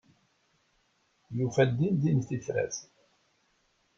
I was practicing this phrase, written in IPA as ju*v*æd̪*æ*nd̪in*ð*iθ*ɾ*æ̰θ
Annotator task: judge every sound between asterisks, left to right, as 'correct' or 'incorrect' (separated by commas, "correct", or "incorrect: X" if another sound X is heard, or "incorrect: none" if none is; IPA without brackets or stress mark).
incorrect: f, incorrect: i, incorrect: θ, correct